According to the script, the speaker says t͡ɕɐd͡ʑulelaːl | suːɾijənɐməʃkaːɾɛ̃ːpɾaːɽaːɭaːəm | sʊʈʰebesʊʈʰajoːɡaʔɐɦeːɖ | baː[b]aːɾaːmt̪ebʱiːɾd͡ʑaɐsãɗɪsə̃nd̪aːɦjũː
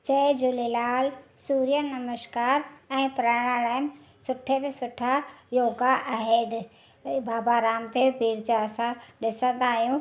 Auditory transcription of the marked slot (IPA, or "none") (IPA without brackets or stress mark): b